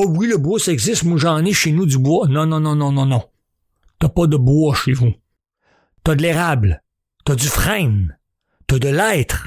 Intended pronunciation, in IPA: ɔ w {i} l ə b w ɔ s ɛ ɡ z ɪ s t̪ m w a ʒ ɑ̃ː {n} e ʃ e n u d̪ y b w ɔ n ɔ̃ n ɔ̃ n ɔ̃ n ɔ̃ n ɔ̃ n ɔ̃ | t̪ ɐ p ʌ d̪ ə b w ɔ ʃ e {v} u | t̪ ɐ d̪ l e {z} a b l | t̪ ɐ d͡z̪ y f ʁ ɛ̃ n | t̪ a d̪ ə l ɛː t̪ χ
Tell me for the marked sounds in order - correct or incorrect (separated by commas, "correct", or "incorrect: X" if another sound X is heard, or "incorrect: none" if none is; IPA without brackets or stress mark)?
correct, correct, correct, incorrect: ʁ